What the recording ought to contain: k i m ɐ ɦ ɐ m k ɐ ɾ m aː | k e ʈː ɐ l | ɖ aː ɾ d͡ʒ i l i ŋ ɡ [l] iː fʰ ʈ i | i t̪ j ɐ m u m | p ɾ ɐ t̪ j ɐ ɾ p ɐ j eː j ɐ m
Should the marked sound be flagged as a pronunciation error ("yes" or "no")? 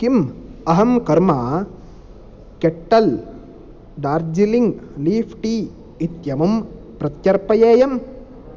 no